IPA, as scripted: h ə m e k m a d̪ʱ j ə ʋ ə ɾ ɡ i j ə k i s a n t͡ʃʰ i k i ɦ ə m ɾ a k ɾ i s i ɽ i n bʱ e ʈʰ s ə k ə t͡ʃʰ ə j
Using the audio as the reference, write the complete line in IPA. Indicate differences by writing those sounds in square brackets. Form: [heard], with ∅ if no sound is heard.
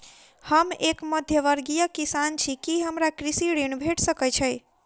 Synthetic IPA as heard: h ə m e k m [ə] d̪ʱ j ə ʋ ə ɾ ɡ i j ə k i s a n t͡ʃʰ i k i ɦ ə m ɾ a k ɾ i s i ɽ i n bʱ e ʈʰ s ə k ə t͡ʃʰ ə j